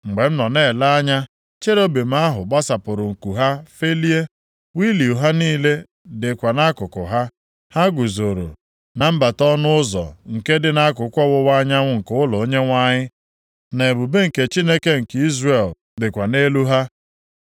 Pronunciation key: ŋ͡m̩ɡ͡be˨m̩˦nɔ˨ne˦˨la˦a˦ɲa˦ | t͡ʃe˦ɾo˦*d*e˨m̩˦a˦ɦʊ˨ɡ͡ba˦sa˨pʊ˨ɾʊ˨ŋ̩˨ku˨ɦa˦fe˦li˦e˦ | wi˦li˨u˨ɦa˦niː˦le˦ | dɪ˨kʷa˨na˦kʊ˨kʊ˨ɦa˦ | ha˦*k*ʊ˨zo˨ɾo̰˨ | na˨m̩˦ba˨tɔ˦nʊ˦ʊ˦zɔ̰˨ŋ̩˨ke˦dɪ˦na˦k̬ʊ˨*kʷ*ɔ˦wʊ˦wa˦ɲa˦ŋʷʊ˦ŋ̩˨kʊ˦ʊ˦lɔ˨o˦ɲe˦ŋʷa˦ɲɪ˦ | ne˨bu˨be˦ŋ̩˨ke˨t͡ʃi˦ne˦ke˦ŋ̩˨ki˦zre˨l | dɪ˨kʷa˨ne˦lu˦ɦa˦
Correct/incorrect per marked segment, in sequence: incorrect: b, incorrect: ɡ, correct

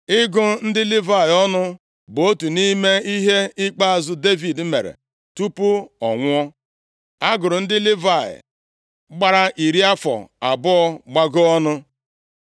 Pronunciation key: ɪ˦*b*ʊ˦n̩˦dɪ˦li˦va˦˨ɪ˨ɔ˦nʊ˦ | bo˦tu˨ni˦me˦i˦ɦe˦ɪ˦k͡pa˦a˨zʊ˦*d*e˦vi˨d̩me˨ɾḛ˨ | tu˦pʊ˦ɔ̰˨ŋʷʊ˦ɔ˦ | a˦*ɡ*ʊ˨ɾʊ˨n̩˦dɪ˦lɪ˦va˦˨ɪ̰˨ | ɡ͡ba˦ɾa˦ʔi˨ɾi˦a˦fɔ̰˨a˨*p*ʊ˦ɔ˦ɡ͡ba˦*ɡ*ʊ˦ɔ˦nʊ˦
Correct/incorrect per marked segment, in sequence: incorrect: ɡ, correct, correct, incorrect: b, correct

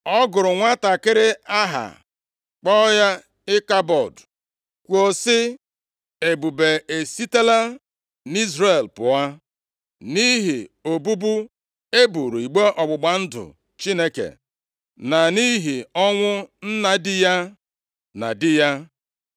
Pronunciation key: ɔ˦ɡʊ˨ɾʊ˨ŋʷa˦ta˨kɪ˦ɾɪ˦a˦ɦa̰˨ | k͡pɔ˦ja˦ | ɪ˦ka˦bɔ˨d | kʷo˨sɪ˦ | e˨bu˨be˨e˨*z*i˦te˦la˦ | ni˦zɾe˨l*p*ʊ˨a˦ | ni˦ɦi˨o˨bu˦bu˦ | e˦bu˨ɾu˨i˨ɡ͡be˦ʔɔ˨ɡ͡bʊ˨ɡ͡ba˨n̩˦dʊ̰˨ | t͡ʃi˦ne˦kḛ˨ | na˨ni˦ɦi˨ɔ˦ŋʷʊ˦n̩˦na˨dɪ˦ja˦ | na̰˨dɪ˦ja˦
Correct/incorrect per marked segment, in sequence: incorrect: s, correct

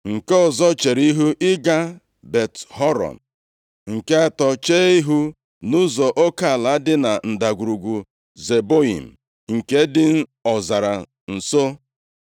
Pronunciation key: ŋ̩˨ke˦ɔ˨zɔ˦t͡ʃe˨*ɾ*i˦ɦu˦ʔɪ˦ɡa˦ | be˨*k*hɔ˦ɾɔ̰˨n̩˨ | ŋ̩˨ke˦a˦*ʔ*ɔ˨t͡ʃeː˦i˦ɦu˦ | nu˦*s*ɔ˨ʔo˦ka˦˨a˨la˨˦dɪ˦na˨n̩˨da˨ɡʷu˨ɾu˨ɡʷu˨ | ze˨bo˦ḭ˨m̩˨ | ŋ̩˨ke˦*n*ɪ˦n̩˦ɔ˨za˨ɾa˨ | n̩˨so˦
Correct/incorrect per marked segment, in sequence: correct, incorrect: t, incorrect: t, incorrect: z, incorrect: d

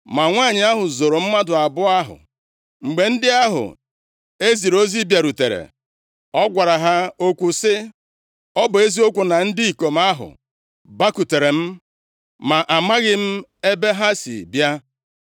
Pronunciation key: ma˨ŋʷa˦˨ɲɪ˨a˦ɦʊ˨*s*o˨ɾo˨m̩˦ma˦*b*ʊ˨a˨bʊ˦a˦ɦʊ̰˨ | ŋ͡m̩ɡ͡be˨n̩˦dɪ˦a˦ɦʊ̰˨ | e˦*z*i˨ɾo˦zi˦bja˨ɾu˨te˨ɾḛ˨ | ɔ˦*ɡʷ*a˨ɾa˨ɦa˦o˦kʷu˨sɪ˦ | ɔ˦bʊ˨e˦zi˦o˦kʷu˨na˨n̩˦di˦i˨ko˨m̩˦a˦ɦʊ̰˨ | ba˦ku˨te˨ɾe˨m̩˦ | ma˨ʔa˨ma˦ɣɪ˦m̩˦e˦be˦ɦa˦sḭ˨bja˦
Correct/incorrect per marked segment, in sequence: incorrect: z, incorrect: d, correct, correct

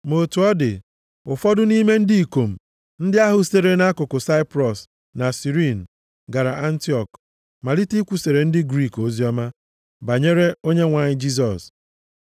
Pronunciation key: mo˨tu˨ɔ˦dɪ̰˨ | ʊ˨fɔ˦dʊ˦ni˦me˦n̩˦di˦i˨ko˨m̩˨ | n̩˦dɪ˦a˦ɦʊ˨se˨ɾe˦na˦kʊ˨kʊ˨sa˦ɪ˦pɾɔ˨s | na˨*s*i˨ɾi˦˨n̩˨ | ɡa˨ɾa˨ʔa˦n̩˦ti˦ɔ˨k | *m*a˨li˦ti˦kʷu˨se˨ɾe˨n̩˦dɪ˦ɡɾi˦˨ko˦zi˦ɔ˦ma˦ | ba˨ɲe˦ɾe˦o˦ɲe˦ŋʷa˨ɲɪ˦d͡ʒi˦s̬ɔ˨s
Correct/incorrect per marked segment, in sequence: correct, correct

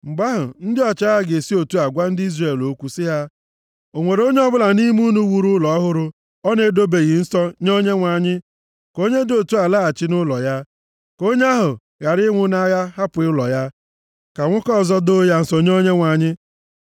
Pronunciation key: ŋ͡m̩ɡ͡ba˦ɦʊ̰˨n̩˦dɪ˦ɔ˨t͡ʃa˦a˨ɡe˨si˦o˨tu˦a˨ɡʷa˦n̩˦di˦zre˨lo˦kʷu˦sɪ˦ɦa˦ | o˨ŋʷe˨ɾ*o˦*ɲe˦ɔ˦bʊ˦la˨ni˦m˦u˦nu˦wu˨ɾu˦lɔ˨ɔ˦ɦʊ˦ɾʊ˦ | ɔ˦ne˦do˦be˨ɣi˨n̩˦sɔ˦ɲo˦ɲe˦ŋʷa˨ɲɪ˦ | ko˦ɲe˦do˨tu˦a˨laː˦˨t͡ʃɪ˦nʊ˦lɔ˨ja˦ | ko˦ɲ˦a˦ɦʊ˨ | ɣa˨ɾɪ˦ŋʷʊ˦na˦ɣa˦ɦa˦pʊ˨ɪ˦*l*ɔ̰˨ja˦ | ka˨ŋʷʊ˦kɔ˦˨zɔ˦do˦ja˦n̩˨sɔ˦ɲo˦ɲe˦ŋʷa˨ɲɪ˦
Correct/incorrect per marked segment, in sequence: correct, correct

